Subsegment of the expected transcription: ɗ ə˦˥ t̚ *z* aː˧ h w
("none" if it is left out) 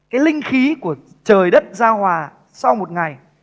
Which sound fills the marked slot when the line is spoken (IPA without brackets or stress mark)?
z